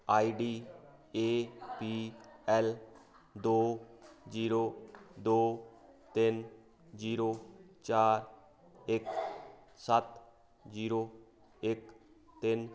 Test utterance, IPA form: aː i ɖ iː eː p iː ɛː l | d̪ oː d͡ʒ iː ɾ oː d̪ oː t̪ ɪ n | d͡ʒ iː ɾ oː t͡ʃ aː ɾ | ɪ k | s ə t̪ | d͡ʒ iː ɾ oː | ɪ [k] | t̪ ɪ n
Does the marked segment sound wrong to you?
no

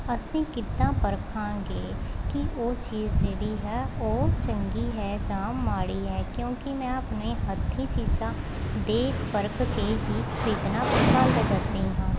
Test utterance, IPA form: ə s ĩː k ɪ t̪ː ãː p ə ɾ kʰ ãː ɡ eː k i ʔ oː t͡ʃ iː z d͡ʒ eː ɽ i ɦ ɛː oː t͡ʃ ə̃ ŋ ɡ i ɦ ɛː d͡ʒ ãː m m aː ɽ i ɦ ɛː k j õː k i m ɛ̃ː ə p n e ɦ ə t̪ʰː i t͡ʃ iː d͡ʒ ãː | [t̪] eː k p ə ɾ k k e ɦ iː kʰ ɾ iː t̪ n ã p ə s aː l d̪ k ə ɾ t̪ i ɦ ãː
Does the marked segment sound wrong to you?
yes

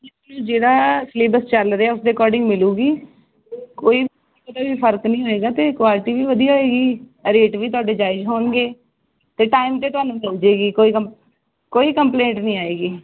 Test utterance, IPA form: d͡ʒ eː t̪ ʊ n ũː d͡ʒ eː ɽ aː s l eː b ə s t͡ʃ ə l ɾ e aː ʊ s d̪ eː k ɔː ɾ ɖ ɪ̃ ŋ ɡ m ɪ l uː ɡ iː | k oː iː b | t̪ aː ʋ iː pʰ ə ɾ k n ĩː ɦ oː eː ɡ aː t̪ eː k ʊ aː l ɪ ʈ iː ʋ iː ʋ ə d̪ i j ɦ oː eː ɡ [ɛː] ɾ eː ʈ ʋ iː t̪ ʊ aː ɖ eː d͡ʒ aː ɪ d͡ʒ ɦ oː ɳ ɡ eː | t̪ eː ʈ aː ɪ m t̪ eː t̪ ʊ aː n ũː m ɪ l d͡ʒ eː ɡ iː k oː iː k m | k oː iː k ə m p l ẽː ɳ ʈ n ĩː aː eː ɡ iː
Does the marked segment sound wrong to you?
yes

